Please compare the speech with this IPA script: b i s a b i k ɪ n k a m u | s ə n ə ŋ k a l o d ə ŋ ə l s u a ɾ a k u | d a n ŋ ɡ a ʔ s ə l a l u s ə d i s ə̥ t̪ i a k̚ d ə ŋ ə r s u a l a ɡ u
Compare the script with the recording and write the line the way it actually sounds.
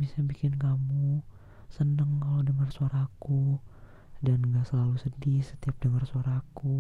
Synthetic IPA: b i s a b i k ɪ n k a m u | s ə n ə ŋ k a l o d ə ŋ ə r s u a ɾ a k u | d a n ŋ ɡ a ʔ s ə l a l u s ə d i s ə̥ t̪ i a p̚ d ə ŋ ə r s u a ɾ a k u